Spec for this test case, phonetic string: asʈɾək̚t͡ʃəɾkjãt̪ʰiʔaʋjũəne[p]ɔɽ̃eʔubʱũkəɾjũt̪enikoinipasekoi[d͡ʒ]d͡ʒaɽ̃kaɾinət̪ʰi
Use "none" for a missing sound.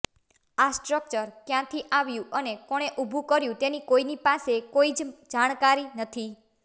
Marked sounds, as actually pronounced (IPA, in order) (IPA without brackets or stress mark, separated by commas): k, d͡ʒ